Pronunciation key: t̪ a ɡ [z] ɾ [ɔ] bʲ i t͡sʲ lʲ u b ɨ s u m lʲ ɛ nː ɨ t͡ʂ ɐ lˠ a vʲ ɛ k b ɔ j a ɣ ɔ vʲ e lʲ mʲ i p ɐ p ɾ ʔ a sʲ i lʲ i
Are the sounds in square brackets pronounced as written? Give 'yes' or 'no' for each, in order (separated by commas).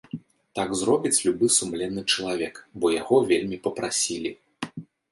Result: yes, yes